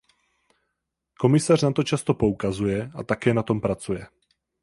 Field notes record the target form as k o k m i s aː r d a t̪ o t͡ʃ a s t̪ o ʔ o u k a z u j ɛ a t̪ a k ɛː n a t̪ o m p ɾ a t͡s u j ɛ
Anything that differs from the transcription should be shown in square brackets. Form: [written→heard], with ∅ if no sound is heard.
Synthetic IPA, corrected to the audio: k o [k→∅] m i s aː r [d→n] a t̪ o t͡ʃ a s t̪ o [ʔ→p] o u k a z u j ɛ a t̪ a k ɛː n a t̪ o m p ɾ a t͡s u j ɛ